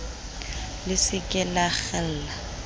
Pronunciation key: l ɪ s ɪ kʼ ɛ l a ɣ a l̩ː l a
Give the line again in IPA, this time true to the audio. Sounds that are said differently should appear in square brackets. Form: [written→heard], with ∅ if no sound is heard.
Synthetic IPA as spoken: l ɪ s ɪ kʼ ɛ l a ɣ [a→ɛ] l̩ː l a

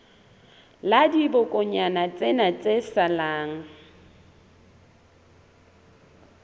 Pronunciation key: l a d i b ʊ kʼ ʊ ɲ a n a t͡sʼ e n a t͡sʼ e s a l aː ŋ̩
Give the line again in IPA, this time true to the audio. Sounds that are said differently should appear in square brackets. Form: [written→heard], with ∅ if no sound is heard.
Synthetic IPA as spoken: l a d i b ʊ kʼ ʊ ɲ a n a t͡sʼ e n a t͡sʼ e s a l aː ŋ̩

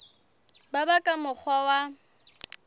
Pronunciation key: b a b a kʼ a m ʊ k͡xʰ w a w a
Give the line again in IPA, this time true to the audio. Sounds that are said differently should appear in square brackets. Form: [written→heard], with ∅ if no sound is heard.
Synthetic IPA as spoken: b a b a kʼ a m ʊ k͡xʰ w a w a

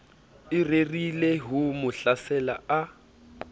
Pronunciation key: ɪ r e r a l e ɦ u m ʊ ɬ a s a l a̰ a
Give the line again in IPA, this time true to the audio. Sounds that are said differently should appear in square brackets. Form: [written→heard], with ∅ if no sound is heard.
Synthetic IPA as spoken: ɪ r e r [a→i] l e ɦ u m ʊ ɬ a s [a→ɛ] l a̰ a

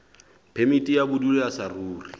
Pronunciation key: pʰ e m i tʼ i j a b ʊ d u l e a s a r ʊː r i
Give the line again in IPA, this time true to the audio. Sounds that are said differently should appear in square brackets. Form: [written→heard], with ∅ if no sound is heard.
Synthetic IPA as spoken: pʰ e m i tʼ i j a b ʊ d u l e a s a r [ʊː→uː] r i

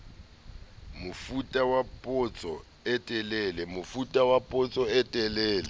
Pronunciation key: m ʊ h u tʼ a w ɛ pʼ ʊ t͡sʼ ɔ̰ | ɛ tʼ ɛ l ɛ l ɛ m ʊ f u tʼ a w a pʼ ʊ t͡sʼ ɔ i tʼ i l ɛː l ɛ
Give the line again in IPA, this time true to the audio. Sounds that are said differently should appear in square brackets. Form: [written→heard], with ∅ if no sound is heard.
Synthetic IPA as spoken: m ʊ [h→f] u tʼ a w [ɛ→a] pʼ ʊ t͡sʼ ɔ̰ | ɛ tʼ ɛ l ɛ l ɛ m ʊ f u tʼ a w a pʼ ʊ t͡sʼ ɔ [i→ɛ] tʼ [i→ɛ] l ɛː l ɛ

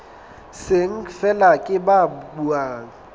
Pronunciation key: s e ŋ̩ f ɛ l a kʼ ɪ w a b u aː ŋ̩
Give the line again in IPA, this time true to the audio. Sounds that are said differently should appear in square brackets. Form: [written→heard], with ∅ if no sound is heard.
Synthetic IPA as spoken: s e ŋ̩ f ɛ l a kʼ ɪ [w→b] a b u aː ŋ̩

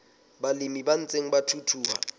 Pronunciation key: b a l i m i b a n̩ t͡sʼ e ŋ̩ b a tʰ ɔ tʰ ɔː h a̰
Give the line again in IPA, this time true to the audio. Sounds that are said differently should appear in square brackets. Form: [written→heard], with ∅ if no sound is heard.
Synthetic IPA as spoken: b a l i m i b a n̩ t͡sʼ e ŋ̩ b a tʰ [ɔ→u] tʰ [ɔː→uː] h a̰

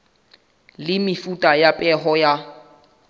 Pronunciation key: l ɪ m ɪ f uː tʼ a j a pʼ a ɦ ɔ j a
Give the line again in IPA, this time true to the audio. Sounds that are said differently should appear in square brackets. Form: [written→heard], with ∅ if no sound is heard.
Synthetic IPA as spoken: l ɪ m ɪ f [uː→u] tʼ a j a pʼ [a→ɛ] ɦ ɔ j a

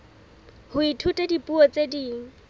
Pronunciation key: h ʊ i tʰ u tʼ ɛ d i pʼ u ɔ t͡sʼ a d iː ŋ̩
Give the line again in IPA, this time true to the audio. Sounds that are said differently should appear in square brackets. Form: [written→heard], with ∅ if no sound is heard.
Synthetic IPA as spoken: h ʊ i tʰ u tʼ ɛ d i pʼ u ɔ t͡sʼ [a→e] d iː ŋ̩

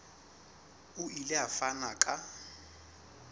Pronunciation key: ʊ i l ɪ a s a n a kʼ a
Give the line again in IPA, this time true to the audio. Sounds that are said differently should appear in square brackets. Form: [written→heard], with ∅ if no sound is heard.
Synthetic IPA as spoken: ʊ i l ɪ a [s→f] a n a kʼ a

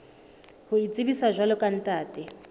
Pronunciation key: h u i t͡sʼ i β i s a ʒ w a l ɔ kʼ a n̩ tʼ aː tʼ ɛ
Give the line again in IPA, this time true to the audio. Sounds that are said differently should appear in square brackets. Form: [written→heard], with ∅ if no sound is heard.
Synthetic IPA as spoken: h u i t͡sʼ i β i s a ʒ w a l ɔ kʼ a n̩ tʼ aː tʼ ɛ

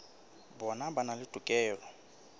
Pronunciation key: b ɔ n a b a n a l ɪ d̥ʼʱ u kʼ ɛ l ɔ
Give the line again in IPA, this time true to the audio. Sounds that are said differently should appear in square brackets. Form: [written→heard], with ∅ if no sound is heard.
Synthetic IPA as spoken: b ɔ n a b a n a l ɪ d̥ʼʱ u kʼ [ɛ→ɛː] l ɔ

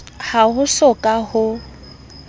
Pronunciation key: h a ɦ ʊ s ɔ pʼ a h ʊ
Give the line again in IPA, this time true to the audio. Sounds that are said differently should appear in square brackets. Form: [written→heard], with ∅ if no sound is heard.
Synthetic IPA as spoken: h a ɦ ʊ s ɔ [pʼ→kʼ] a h ʊ

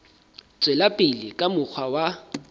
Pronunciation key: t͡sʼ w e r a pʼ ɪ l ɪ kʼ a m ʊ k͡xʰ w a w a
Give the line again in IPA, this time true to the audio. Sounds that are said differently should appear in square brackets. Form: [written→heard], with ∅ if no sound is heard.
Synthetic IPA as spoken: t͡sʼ w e [r→l] a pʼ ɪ l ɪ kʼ a m ʊ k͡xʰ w a w a

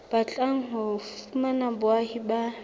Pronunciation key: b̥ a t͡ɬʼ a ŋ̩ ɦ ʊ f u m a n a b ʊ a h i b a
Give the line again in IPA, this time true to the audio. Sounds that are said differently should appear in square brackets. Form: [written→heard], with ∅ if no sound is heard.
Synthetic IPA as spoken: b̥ a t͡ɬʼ a ŋ̩ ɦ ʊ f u m a n a b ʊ a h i b a

